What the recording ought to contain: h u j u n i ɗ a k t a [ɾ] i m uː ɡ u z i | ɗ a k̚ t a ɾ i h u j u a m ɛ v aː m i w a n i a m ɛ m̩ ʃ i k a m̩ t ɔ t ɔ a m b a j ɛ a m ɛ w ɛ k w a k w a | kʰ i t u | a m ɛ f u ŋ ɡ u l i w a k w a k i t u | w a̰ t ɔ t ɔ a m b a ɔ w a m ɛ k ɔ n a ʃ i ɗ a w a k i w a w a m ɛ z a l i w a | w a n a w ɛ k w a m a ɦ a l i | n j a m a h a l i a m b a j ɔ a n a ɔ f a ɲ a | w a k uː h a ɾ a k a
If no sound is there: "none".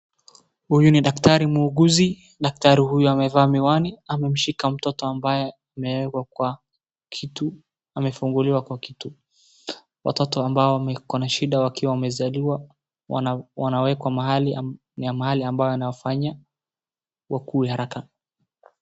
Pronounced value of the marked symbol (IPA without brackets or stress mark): ɾ